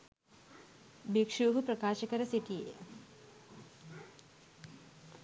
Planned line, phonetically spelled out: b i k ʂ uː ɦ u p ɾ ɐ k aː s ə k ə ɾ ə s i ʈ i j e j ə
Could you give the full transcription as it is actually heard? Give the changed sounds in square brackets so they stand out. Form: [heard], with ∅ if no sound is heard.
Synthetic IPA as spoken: b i k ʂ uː ɦ u p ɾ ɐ k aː [ʃ] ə k ə ɾ ə s i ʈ i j e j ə